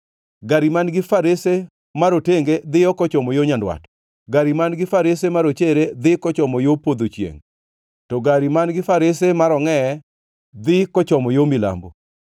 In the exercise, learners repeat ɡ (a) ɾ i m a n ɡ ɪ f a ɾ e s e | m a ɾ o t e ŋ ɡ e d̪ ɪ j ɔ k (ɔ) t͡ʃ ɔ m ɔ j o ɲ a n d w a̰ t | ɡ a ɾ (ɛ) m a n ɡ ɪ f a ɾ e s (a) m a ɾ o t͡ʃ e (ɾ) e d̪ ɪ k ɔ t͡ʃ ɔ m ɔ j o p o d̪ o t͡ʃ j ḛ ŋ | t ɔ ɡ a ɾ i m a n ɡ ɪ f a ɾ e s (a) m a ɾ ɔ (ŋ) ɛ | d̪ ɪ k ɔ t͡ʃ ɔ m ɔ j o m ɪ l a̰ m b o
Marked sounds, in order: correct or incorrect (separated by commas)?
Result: correct, correct, incorrect, incorrect, correct, incorrect, correct